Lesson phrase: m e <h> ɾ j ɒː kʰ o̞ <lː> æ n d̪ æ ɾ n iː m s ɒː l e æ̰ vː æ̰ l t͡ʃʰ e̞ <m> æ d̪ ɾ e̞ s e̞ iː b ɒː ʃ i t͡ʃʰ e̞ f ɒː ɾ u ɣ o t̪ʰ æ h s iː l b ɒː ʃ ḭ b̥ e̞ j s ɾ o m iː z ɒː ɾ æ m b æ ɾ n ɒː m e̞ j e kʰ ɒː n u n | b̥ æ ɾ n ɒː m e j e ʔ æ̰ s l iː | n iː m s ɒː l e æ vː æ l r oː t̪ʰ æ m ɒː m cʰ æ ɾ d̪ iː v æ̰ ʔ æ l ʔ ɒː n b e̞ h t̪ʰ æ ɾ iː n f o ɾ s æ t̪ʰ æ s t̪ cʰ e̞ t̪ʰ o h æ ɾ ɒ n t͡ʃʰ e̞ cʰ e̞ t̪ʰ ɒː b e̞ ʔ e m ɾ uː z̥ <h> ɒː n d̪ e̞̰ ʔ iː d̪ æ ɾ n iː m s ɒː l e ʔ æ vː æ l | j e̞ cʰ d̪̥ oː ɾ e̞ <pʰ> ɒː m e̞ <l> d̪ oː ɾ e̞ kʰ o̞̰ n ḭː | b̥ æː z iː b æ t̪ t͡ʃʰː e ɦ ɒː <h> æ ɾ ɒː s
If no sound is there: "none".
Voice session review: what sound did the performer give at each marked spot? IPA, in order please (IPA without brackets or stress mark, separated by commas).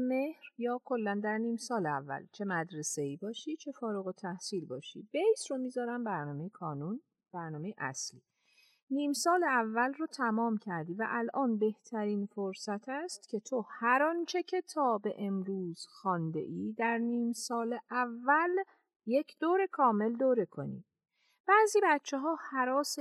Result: h, lː, m, x, kʰ, l, h